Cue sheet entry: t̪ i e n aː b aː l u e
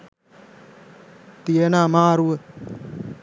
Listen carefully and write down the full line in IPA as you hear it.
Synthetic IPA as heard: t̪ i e n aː m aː ɾ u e